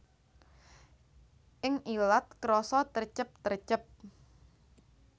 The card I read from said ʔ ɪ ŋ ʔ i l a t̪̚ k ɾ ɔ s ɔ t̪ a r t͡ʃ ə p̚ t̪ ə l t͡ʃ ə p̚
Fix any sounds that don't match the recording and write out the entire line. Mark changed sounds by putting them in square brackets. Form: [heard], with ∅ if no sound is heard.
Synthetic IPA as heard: ʔ ɪ ŋ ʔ i l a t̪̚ k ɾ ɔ s ɔ t̪ [ə] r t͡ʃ ə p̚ t̪ ə [r] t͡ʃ ə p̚